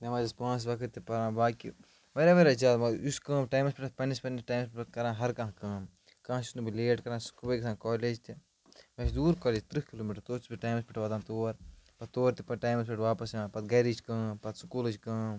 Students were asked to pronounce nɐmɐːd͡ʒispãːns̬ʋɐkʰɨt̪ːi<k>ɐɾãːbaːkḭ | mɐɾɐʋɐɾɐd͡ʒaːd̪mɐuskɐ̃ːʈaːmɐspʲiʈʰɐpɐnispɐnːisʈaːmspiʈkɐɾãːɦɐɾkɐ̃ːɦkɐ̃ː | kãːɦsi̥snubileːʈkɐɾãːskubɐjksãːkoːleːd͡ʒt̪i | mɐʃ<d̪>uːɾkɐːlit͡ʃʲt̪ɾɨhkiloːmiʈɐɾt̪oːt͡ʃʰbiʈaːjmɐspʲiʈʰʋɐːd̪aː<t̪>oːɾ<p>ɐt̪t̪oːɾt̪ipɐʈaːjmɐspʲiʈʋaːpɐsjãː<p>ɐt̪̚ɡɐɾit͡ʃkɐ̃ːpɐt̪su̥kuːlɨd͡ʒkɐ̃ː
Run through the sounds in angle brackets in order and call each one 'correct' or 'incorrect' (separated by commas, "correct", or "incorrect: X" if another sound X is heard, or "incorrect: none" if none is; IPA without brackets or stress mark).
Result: incorrect: p, correct, correct, correct, correct